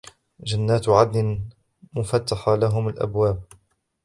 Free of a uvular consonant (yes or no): yes